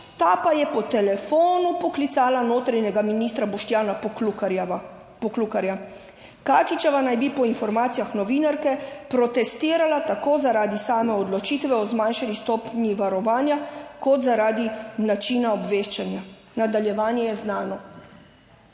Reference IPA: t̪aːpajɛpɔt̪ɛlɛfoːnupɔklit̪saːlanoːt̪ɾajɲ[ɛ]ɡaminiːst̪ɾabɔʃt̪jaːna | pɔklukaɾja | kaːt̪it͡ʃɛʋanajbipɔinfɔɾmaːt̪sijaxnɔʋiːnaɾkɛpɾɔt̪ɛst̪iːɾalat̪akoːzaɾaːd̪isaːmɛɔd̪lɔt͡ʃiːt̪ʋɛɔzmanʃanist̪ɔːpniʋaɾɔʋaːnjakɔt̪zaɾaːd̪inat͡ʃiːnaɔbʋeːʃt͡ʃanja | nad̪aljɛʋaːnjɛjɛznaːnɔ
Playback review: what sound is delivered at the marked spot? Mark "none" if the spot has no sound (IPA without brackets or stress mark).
ɛ